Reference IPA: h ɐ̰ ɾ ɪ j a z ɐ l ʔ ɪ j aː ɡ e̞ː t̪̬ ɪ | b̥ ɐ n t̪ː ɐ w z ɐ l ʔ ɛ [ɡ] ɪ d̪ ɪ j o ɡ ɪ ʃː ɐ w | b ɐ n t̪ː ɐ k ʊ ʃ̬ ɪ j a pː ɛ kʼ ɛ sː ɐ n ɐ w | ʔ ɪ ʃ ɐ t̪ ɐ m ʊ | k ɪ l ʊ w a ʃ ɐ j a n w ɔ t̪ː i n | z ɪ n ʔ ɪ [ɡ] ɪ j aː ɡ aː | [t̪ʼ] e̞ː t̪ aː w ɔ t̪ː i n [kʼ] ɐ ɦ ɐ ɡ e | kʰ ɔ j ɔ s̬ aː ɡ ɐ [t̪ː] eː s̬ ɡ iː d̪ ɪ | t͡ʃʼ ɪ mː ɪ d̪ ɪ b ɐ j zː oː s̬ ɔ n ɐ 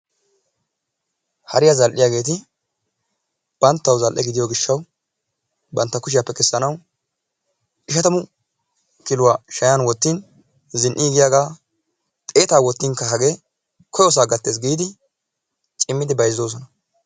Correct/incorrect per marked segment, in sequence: correct, correct, correct, incorrect: k, correct

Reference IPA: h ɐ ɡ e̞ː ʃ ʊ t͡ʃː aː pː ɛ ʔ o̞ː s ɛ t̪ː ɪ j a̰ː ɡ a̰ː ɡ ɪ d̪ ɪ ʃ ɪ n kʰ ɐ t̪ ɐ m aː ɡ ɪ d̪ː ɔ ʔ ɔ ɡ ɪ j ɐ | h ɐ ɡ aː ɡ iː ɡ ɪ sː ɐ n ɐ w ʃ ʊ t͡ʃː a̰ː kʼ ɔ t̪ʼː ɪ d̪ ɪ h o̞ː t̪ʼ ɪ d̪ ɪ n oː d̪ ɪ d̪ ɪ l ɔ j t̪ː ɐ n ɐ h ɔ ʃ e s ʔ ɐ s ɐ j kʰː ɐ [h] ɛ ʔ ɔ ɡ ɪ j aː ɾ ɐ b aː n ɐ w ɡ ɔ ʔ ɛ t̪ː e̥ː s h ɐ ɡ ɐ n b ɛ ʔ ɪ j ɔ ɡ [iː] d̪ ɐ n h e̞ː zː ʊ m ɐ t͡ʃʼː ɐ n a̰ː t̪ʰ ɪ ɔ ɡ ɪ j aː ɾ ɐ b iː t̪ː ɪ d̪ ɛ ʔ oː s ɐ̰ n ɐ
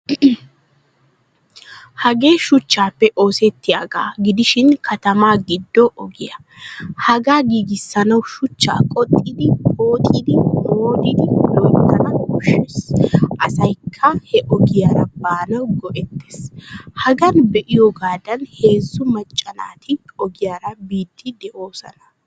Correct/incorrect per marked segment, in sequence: correct, incorrect: aː

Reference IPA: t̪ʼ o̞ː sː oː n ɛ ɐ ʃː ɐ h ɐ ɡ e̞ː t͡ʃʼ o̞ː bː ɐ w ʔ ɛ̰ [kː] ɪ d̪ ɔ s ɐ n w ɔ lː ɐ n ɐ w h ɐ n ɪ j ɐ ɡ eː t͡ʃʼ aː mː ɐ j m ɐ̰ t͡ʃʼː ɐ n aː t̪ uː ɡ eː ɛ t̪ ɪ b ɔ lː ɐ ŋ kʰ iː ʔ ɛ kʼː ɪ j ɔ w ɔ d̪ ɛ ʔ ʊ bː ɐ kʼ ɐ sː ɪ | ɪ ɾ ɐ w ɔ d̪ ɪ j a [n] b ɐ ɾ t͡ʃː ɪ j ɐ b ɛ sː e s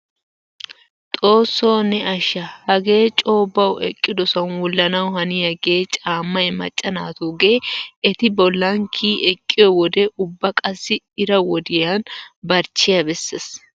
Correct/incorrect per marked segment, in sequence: incorrect: kʼː, correct

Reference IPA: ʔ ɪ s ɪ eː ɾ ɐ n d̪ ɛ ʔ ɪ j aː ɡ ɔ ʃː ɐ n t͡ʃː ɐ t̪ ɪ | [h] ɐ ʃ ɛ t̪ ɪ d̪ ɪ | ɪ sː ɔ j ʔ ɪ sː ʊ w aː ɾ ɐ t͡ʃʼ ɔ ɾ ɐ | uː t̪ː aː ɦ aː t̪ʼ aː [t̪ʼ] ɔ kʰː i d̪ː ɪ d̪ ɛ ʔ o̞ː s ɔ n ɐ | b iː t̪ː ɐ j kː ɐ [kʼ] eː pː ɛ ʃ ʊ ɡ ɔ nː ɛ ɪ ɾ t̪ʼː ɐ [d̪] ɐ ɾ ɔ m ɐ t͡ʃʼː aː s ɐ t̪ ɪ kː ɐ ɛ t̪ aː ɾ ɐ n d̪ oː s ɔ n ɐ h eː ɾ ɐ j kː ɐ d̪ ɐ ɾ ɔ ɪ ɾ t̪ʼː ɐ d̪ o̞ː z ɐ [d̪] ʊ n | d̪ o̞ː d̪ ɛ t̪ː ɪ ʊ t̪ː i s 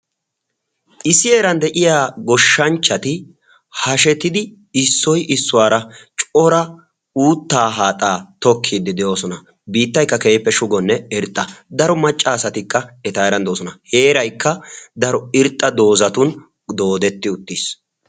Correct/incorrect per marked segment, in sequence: correct, incorrect: t̪, incorrect: k, correct, incorrect: t̪

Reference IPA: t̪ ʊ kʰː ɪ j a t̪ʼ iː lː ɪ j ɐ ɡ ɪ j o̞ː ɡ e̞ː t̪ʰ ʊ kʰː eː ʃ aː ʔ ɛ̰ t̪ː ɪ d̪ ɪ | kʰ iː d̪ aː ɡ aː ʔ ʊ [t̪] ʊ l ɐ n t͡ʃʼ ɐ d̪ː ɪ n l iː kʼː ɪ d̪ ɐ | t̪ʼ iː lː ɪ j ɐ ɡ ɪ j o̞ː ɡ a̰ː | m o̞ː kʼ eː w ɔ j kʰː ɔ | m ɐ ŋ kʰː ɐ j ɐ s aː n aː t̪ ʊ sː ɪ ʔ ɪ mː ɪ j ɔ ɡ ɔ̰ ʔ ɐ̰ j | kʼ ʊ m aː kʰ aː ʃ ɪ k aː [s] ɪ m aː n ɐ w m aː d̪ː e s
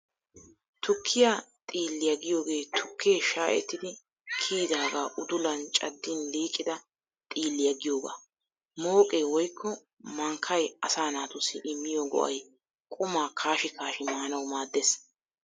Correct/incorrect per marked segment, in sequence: incorrect: d̪, incorrect: ʃ

